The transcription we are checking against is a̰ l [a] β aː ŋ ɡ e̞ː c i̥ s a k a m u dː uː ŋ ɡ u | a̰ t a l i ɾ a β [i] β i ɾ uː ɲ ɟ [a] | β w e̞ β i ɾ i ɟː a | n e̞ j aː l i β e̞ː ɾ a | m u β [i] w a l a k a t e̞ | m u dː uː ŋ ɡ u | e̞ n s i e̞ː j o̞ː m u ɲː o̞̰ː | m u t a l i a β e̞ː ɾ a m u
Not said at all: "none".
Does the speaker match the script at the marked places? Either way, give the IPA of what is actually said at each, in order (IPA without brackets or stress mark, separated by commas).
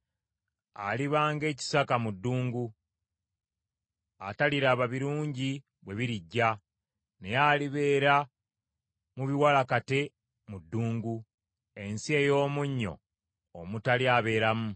i, a, i, i